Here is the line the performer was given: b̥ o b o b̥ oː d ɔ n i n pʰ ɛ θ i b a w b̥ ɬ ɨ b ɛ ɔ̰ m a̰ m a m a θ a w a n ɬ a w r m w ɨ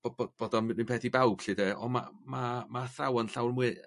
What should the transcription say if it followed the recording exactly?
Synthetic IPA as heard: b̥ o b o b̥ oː d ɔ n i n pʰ ɛ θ i b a w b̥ ɬ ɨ d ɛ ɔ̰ m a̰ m a m a θ a w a n ɬ a w r m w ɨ